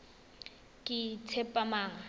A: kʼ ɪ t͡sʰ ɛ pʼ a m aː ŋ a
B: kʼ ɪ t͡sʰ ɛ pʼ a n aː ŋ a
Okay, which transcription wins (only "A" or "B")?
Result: A